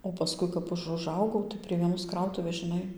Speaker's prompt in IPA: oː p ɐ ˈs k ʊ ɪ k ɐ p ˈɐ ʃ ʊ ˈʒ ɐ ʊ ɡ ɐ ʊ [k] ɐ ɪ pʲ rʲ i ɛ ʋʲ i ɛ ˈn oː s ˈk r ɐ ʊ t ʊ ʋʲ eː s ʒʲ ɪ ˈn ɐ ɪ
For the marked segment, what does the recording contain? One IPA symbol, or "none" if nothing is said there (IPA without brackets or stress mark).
t